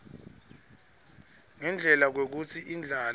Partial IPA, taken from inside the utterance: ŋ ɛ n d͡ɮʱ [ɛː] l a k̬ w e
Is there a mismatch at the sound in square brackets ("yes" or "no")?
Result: yes